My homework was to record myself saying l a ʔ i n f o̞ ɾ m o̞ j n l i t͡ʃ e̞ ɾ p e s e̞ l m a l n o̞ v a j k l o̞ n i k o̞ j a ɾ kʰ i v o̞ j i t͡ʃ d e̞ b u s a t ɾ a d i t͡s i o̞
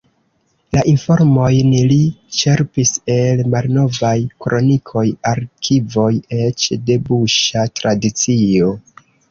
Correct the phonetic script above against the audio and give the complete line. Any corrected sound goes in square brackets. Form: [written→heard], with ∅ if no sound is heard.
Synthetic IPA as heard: l a ʔ i n f o̞ ɾ m o̞ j n l i t͡ʃ e̞ ɾ p [e→i] s e̞ l m a l n o̞ v a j k [l→ɾ] o̞ n i [k→kʰ] o̞ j a ɾ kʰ i v o̞ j [i→e] t͡ʃ d e̞ b u [s→ʃ] a t ɾ a d i t͡s i o̞